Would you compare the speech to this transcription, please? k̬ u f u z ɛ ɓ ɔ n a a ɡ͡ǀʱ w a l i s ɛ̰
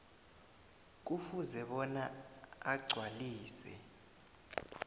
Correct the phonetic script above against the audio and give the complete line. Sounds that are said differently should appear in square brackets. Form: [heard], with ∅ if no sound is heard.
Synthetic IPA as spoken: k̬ u f u z ɛ ɓ ɔ n a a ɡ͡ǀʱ w a l [iː] s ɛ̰